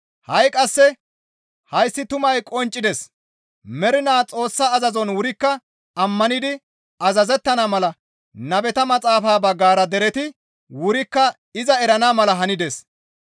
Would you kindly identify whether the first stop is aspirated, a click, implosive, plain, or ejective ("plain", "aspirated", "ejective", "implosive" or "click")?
ejective